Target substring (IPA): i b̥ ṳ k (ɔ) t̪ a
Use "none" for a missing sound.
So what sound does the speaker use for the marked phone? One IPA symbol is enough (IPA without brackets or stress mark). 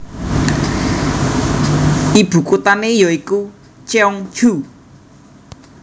u